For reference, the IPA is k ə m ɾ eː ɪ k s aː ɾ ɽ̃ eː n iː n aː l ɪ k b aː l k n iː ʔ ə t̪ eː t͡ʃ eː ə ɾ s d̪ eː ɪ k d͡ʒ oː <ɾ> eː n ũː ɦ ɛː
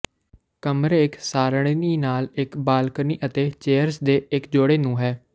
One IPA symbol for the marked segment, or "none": ɽ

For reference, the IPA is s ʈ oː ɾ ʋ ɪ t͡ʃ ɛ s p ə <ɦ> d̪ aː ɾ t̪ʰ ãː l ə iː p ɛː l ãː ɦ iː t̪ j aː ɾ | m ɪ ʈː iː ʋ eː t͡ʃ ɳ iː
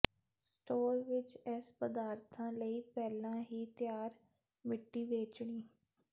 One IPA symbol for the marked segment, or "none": none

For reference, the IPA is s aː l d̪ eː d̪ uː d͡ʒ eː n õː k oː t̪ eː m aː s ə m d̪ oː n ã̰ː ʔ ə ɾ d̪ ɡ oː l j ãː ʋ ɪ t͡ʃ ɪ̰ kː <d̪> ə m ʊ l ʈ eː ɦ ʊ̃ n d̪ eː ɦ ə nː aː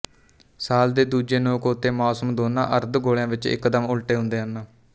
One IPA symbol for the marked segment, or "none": d̪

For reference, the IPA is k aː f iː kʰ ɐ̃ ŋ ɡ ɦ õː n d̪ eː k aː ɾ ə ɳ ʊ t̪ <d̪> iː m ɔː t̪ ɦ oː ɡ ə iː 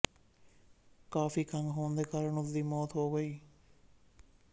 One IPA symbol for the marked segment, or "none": d̪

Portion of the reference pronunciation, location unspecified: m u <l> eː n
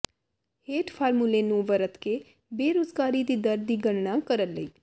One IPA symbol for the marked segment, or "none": l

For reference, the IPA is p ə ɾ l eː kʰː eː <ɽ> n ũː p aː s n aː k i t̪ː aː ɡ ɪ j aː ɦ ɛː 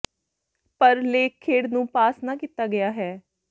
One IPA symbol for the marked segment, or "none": ɽ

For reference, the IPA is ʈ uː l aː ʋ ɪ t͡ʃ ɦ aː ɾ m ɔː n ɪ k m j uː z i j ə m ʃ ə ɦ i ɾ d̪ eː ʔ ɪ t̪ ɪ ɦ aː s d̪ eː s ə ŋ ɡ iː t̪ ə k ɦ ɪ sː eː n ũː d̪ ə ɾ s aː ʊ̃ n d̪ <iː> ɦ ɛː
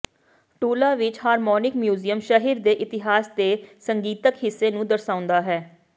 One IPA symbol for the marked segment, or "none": aː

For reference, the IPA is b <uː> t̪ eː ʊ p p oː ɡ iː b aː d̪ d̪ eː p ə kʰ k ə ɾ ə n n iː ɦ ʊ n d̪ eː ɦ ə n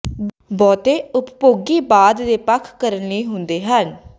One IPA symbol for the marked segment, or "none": ɔː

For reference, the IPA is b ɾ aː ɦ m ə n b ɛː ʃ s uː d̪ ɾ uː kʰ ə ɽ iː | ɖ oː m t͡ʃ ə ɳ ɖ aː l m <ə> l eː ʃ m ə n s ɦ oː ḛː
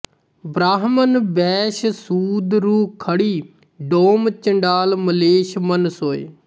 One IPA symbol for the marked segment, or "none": ə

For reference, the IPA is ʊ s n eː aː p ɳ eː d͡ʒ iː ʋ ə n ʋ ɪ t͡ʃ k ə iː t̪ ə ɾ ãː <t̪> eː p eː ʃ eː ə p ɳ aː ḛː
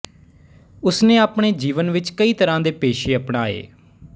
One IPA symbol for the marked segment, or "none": d̪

